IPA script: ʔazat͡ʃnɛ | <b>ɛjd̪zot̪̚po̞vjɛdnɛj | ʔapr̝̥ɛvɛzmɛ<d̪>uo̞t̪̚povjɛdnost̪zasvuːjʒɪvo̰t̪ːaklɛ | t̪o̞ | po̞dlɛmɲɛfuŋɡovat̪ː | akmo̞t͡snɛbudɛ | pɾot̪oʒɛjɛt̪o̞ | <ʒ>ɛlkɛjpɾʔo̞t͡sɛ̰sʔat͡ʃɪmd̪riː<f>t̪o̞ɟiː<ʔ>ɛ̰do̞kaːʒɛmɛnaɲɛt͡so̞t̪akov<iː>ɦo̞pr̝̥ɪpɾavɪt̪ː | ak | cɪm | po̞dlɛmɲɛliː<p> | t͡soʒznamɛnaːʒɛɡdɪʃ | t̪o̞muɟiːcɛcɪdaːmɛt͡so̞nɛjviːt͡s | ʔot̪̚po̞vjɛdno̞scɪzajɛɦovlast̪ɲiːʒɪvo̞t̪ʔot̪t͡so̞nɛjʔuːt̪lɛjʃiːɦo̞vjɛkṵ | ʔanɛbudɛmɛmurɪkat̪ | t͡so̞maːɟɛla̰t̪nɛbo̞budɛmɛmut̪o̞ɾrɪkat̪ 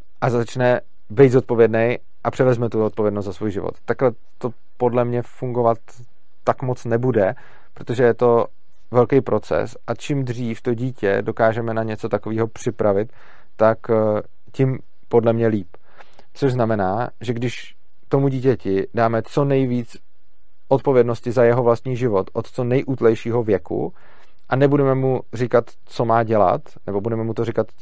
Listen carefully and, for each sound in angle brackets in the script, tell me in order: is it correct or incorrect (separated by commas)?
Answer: correct, incorrect, incorrect, correct, incorrect, correct, correct